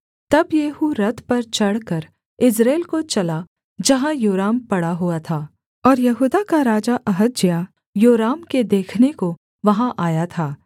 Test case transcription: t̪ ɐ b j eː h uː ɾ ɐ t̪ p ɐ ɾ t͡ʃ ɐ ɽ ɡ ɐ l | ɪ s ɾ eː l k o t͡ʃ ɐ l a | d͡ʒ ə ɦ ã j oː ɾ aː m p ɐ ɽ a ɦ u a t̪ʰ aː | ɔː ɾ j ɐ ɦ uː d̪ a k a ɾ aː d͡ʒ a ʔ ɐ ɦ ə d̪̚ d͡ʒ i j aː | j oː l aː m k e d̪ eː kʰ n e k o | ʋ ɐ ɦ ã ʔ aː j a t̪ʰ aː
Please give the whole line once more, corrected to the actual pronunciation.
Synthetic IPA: t̪ ɐ b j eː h u ɾ ɐ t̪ p ɐ ɾ t͡ʃ ɐ ɽ k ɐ ɾ | ɪ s ɾ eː l k o t͡ʃ ɐ l a | d͡ʒ ɐ ɦ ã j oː ɾ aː m p ɐ ɽ a ɦ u a t̪ʰ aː | ɔː ɾ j ɐ ɦ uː d̪ a k a ɾ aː d͡ʒ a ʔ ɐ ɦ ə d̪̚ d͡ʒ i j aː | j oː ɾ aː m k e d̪ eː kʰ n e k o | ʋ ɐ ɦ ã ʔ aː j a t̪ʰ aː